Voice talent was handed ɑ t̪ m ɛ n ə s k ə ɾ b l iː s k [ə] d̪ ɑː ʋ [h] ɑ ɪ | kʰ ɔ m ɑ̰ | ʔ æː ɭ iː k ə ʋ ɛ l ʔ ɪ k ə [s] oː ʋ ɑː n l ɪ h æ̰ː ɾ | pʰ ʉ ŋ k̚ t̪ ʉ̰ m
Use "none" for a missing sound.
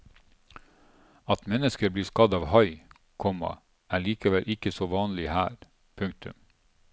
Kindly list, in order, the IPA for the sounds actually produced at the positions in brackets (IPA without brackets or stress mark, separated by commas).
ɑ, h, s